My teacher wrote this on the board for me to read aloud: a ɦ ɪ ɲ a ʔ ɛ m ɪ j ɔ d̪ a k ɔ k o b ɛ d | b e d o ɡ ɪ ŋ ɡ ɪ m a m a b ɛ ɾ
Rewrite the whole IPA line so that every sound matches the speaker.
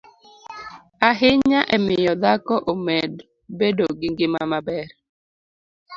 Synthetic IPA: a ɦ ɪ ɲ a ʔ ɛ m ɪ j ɔ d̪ a k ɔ ʔ o m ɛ d | b e d o ɡ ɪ ŋ ɡ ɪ m a m a b ɛ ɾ